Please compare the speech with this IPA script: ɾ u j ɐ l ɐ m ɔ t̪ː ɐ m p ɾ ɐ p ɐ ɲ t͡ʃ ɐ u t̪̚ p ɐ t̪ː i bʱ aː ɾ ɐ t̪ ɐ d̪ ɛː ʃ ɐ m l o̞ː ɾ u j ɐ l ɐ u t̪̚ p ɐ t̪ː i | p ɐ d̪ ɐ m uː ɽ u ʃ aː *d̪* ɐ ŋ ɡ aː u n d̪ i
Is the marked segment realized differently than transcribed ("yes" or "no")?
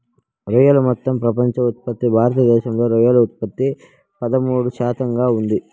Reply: yes